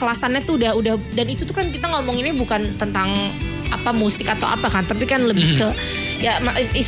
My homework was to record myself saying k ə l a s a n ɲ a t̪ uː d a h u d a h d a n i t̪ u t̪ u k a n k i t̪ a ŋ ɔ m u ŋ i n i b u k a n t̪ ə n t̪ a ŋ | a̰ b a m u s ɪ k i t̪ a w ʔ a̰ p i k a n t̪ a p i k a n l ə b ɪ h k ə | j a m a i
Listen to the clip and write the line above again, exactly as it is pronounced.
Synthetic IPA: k ə l a s a n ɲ a t̪ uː d a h u d a h d a n i t̪ u t̪ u k a n k i t̪ a ŋ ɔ m ɔ ŋ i n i b u k a n t̪ ə n t̪ a ŋ | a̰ p a m u s ɪ k a t̪ a w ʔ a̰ p a k a n t̪ a p i k a n l ə b ɪ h k ə | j a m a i